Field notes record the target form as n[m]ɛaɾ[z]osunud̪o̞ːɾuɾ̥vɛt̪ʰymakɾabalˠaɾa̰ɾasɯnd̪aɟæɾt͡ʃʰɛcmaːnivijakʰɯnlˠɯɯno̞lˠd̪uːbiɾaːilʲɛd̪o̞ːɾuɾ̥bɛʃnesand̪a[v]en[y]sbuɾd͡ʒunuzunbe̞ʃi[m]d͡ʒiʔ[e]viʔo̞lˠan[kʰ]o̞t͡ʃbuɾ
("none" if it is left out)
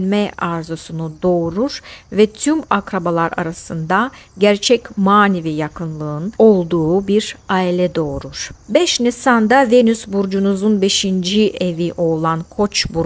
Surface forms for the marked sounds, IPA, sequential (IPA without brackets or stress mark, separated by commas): m, z, v, y, n, e, kʰ